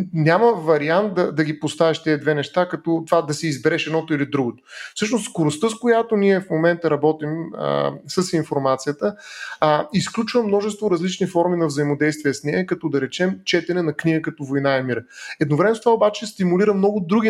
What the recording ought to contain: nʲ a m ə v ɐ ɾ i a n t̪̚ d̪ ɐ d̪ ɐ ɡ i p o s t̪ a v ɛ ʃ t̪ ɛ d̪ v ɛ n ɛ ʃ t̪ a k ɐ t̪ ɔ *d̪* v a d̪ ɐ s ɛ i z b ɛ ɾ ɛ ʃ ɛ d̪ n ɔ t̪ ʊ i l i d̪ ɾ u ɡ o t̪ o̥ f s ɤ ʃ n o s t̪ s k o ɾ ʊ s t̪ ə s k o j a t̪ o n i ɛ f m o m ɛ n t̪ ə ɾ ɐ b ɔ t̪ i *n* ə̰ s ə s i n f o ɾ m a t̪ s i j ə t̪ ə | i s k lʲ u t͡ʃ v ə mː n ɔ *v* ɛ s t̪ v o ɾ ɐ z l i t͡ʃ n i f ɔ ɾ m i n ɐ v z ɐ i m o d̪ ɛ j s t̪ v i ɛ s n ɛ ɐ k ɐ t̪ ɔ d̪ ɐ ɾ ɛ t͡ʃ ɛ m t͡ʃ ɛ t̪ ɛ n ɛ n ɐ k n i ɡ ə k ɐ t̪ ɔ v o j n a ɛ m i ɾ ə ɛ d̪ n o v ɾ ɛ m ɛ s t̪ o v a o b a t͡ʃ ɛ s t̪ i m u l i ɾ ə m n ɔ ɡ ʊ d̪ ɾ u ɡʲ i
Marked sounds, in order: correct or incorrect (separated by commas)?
incorrect, incorrect, incorrect